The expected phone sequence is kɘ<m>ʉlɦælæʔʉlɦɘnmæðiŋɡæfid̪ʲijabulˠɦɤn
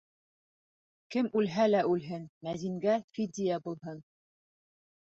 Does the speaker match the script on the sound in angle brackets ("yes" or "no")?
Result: yes